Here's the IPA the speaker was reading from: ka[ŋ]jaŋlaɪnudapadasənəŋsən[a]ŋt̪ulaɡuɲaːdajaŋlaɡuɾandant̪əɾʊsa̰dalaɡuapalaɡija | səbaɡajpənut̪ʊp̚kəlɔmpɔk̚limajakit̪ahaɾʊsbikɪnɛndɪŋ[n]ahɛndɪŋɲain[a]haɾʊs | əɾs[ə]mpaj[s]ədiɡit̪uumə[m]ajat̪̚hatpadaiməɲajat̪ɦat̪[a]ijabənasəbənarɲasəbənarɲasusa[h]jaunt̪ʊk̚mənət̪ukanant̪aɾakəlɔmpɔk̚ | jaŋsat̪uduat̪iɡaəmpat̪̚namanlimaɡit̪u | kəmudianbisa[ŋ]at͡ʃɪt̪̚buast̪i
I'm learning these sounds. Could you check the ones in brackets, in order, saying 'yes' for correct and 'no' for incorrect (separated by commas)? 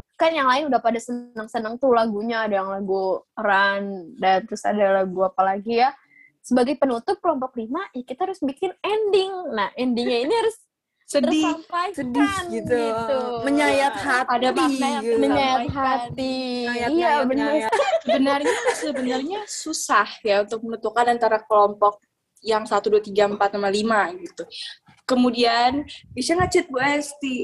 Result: no, no, yes, no, no, yes, no, no, yes, yes